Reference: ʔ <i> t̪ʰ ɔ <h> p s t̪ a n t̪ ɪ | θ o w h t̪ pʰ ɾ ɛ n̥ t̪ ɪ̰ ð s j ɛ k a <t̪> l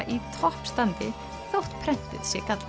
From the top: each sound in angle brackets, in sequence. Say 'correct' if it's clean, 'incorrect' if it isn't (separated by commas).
correct, correct, correct